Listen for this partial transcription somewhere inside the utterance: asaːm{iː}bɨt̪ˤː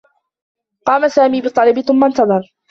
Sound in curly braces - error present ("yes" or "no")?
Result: no